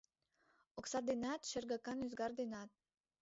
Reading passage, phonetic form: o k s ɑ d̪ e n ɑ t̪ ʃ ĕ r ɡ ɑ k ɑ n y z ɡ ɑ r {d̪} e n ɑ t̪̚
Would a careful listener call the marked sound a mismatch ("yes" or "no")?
no